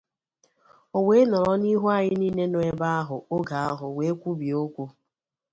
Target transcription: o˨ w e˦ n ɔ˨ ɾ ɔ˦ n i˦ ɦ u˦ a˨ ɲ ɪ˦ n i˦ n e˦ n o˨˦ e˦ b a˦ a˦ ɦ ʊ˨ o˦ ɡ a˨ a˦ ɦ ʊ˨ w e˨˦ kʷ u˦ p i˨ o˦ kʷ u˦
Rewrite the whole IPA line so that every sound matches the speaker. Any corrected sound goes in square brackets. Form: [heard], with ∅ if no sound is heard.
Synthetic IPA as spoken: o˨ w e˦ n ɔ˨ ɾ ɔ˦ n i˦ ɦ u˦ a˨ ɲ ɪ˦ n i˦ n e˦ n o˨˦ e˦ b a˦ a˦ ɦ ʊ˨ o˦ ɡ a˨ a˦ ɦ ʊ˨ w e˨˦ kʷ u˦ [b] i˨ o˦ kʷ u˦